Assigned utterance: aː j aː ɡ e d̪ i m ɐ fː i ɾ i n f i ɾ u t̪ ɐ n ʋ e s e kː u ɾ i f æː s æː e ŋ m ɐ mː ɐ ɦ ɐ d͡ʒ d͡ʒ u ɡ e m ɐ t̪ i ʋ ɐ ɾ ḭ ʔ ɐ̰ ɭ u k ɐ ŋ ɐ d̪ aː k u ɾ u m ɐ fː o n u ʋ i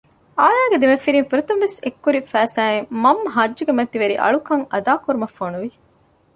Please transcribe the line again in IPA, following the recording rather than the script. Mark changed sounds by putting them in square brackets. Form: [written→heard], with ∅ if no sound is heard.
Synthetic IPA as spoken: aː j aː ɡ e d̪ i m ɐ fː i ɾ i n f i ɾ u t̪ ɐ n ʋ e s e kː u ɾ i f æː s æː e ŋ m ɐ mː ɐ ɦ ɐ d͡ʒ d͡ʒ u ɡ e m ɐ t̪ i ʋ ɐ ɾ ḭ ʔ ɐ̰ ɭ u k ɐ ŋ ɐ d̪ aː k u ɾ u m ɐ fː o n u ʋ i